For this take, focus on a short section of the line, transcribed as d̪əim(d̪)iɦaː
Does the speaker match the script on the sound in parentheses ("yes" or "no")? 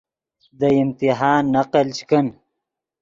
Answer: no